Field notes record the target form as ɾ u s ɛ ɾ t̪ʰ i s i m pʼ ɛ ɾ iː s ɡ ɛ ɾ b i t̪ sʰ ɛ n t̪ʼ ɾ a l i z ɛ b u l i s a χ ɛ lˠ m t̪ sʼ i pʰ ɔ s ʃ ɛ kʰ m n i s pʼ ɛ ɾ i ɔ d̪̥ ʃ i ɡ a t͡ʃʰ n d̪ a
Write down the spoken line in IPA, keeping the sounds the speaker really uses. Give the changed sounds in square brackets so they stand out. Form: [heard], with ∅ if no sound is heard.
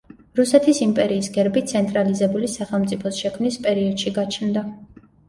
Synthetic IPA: ɾ u s ɛ [∅] t̪ʰ i s i m pʼ ɛ ɾ iː s ɡ ɛ ɾ b i t̪ sʰ ɛ n t̪ʼ ɾ a l i z ɛ b u l i s a χ ɛ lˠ m t̪ sʼ i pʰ ɔ s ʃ ɛ kʰ m n i s pʼ ɛ ɾ i ɔ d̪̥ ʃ i ɡ a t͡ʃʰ n d̪ a